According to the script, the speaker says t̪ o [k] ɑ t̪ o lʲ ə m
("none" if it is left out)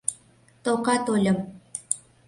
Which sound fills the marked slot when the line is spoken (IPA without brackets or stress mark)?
k